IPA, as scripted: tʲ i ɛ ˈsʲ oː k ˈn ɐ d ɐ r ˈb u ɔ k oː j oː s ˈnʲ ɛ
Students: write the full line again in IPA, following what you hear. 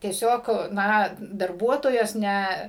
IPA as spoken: tʲ i ɛ ˈsʲ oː k ˈn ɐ d ɐ r ˈb u ɔ t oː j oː s ˈnʲ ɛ